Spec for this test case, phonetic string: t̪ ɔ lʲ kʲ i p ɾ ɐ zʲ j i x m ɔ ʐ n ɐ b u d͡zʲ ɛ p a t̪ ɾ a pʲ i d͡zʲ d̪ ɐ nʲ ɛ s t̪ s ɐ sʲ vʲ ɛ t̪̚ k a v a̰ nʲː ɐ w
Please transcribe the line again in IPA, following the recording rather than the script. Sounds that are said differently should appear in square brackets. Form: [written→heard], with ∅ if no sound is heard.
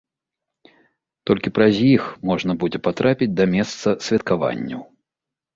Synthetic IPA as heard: t̪ ɔ lʲ kʲ i p ɾ ɐ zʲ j i x m ɔ ʐ n ɐ b u d͡zʲ ɛ p a t̪ ɾ a pʲ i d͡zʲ d̪ ɐ [nʲ→mʲ] ɛ s t̪ s ɐ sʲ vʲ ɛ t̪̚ k a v a̰ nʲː ɐ w